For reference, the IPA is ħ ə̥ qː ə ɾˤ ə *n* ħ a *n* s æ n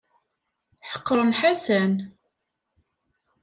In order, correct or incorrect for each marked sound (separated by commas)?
correct, incorrect